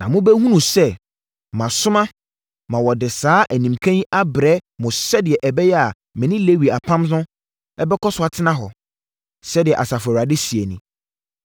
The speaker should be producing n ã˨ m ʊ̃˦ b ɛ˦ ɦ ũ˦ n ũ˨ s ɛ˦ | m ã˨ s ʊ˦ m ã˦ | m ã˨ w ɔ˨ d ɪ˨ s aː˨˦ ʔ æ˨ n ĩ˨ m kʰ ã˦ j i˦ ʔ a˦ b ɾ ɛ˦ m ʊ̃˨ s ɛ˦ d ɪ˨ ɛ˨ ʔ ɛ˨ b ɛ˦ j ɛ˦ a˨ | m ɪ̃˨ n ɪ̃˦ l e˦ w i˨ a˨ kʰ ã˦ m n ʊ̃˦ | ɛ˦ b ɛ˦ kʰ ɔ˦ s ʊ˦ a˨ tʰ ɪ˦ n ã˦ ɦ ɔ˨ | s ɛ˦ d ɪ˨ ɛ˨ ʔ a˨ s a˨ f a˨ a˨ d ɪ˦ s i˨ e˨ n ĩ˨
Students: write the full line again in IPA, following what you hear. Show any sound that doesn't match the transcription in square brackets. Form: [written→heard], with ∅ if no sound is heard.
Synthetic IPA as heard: n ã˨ m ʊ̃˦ b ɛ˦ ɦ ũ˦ n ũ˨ s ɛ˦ | m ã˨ s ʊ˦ m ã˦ | m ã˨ w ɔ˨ d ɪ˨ s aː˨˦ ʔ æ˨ n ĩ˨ m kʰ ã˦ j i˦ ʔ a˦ b ɾ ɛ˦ m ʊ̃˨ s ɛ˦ d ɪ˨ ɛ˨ ʔ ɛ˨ b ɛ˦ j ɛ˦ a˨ | m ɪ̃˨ n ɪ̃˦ l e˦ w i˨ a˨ [kʰ→pʰ] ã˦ m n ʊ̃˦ | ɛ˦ b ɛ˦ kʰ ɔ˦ s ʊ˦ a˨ tʰ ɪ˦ n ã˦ ɦ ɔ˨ | s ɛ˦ d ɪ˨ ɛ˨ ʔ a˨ s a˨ f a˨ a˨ d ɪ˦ s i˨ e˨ n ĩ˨